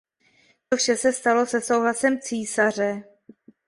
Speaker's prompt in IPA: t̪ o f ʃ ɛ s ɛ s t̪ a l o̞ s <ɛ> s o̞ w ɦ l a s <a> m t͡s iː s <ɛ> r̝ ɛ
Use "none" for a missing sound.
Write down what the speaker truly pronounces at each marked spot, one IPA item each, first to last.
ɛ, ɛ, a

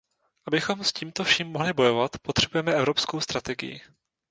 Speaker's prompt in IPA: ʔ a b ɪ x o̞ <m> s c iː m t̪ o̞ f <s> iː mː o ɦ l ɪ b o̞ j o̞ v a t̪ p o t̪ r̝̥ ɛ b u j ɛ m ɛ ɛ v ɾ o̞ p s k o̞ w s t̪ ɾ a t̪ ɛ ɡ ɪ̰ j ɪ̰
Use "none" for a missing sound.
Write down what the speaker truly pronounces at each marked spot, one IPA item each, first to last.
m, ʃ

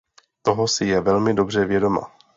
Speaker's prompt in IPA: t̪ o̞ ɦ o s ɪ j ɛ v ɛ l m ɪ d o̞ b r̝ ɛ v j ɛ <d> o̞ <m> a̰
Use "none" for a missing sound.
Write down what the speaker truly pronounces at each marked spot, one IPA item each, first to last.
d, m

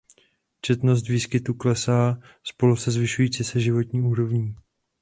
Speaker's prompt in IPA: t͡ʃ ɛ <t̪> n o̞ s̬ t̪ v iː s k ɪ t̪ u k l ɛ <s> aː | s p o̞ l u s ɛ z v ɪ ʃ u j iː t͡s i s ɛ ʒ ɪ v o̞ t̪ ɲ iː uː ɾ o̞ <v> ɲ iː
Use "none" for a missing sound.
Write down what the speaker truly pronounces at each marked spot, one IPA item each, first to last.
t̪, s, v

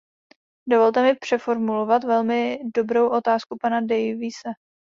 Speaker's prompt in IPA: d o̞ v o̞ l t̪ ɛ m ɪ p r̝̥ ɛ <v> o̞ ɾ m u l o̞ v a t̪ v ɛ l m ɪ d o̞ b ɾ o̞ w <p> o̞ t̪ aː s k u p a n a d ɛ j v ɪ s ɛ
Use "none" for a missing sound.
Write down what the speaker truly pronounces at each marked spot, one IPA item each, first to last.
f, ʔ

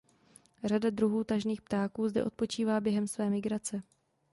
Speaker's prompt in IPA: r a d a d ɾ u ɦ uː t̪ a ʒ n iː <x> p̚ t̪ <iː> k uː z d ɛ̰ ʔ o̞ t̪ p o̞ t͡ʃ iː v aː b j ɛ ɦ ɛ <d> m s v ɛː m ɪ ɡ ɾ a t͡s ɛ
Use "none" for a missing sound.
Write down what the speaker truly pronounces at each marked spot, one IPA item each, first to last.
x, aː, none

